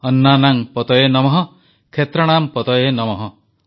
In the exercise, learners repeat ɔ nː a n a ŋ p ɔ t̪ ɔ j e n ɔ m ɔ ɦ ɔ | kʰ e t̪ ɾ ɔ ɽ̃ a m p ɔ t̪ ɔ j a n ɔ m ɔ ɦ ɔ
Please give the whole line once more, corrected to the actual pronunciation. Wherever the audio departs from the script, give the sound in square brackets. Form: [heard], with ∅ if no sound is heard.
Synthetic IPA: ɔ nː a n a ŋ p ɔ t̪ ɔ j e n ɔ m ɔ ɦ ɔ | kʰ e t̪ ɾ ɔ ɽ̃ a m p ɔ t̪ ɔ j [e] n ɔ m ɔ ɦ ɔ